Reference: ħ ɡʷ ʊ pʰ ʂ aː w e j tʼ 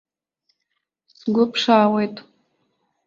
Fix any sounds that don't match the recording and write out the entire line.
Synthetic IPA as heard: s ɡʷ ʊ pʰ ʂ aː w e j tʼ